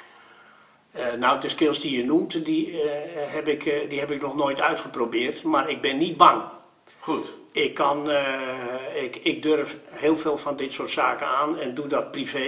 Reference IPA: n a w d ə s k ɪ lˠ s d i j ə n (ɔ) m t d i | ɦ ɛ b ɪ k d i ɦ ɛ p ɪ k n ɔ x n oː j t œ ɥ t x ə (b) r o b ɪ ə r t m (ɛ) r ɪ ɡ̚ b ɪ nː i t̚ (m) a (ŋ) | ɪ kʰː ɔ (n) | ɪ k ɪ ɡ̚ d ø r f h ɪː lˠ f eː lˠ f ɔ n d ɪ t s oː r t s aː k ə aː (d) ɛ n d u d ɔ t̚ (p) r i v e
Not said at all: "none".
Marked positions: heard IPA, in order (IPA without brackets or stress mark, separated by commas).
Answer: u, p, a, b, ŋ, n, n, p